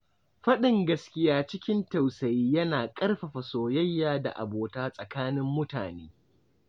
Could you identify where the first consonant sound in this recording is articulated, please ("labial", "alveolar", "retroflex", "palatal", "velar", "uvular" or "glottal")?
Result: labial